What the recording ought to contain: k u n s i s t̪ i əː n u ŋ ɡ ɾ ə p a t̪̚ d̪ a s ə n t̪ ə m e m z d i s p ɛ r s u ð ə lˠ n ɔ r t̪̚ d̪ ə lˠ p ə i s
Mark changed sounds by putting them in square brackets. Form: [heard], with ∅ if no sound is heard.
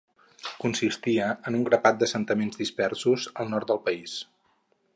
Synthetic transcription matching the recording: k u n s i s t̪ i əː n u ŋ ɡ ɾ ə p a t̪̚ d̪ [ə] s ə n t̪ ə m e [n] z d i s p ɛ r s u [z] ə lˠ n ɔ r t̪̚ d̪ ə lˠ p ə i s